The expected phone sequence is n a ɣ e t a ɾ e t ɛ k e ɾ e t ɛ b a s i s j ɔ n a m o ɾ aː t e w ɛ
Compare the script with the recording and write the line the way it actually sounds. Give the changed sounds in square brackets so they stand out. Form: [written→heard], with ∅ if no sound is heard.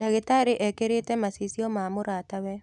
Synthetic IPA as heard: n a ɣ e t a ɾ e [t→ʔ] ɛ k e ɾ e t ɛ [b→m] a s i s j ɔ [n→m] a m o ɾ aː t [e→a] w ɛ

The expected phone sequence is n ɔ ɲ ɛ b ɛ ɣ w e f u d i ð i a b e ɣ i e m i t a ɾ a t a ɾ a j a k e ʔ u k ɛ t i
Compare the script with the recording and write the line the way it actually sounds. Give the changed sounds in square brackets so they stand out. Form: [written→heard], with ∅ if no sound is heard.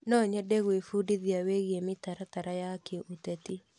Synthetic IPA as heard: n ɔ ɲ ɛ [b→d] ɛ ɣ w e f u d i ð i a [b→w] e ɣ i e m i t a ɾ a t a ɾ a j a k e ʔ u [k→t] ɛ t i

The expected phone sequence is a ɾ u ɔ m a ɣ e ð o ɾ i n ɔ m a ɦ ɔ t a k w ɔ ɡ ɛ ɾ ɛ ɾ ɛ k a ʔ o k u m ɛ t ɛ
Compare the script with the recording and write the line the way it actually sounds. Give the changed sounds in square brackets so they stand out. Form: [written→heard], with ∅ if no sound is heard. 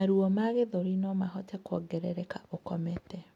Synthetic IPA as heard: a ɾ u ɔ m a ɣ e ð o ɾ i n ɔ m a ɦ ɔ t [a→ɛ] k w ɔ ɡ ɛ ɾ ɛ ɾ ɛ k a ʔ o k [u→ɔ] m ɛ t ɛ

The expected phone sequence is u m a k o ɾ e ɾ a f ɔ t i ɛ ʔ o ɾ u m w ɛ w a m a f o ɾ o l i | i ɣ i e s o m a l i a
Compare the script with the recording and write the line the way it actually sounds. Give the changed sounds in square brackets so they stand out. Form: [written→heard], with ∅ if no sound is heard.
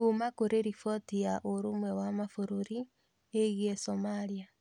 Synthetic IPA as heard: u m a k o ɾ e ɾ [a→i] f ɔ t i [ɛ→a] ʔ o ɾ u m w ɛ w a m a f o ɾ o [l→ɾ] i | [i→e] ɣ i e s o m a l i a

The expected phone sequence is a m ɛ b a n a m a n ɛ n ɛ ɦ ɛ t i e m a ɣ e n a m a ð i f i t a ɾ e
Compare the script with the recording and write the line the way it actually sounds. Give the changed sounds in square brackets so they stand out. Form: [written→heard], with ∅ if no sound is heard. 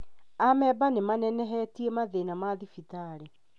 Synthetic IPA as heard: a m ɛ b a n [a→e] m a n ɛ n ɛ ɦ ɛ t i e m a [ɣ→ð] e n a m a ð i f i t a ɾ e

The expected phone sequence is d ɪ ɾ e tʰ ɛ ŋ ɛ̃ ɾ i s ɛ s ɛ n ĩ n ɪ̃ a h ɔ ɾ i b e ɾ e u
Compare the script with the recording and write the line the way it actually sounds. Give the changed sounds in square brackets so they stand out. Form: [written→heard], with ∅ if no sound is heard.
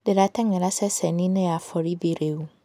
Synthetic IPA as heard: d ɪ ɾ [e→a] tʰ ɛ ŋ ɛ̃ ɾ [i→a] s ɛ s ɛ n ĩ n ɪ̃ a [h→f] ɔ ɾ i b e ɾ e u

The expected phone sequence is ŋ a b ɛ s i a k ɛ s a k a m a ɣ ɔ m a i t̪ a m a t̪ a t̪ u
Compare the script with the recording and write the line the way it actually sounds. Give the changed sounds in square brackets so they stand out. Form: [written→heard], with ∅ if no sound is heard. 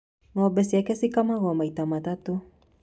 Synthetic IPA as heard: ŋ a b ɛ s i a k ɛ s [a→i] k a m a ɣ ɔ m a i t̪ a m a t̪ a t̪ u

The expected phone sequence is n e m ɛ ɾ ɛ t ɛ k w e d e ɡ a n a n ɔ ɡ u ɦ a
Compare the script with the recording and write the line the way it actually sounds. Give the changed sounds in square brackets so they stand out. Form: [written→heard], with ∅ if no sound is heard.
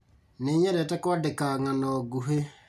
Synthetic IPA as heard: n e [m→ɲ] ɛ ɾ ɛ t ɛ k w [e→a] d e [ɡ→k] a [n→ŋ] a n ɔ ɡ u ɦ [a→e]

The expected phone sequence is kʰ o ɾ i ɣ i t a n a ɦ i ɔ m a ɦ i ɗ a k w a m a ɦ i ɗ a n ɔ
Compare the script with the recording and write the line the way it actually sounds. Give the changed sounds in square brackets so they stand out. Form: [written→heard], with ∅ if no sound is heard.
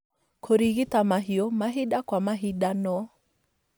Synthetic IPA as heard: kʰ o ɾ i ɣ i t a [n→m] a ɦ i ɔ m a ɦ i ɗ a k w a m a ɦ i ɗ a n ɔ

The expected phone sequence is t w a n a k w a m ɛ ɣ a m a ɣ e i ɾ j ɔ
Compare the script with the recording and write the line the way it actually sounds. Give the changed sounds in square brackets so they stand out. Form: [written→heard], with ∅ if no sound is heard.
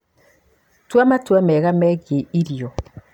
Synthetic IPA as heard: t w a [n→m] a [k→t] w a m ɛ ɣ a m [a→ɛ] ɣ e i ɾ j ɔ

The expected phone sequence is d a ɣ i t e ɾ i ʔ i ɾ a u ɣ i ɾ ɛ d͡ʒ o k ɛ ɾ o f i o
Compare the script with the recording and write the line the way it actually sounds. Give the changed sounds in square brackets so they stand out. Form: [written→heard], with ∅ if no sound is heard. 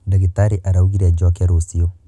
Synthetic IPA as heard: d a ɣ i t [e→a] ɾ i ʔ [i→a] ɾ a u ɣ i ɾ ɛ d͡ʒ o k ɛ ɾ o [f→s] i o

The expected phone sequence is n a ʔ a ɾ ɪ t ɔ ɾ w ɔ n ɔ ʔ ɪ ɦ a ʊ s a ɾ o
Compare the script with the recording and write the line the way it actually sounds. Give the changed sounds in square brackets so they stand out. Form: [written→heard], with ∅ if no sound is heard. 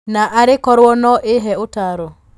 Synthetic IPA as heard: n a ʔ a ɾ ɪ [t→k] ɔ ɾ w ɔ n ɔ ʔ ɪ ɦ [a→ɛ] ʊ [s→t] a ɾ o

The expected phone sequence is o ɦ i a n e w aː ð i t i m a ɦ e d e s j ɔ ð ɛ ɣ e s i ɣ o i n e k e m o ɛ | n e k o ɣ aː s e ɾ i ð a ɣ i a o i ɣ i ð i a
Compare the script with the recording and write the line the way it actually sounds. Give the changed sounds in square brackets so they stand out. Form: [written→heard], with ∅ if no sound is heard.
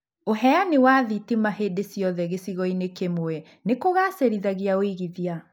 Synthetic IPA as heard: o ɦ [i→ɛ] a n e w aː ð i t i m a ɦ e d e s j ɔ ð ɛ ɣ e s i ɣ [o→ɔ] i n e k e m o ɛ | n e k o ɣ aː s e ɾ i ð a ɣ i a o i ɣ i ð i a

